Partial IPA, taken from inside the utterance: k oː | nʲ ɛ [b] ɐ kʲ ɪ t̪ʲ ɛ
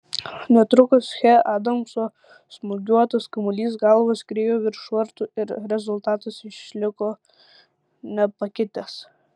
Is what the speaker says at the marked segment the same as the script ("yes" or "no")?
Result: no